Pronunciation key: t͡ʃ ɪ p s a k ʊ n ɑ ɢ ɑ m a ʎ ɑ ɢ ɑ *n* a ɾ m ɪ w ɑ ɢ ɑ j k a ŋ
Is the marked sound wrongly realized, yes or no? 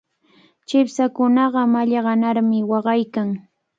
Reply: no